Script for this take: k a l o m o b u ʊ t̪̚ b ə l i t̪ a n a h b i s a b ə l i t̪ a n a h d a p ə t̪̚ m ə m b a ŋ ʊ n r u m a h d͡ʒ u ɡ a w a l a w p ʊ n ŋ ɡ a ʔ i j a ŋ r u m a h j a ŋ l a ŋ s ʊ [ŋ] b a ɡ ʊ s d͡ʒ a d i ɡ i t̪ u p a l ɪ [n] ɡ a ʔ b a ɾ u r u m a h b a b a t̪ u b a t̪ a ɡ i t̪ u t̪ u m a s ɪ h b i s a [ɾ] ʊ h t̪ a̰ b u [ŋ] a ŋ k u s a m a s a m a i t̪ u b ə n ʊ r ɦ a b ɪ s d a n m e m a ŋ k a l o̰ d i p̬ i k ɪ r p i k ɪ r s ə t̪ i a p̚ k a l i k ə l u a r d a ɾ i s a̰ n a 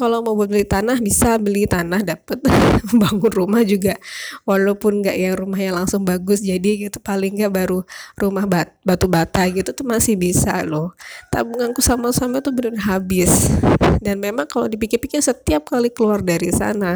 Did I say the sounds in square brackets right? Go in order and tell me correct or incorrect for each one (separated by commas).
correct, incorrect, incorrect, correct